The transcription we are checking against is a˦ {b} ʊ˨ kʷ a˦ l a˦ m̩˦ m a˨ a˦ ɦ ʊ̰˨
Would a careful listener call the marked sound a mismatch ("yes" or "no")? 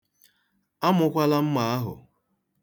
yes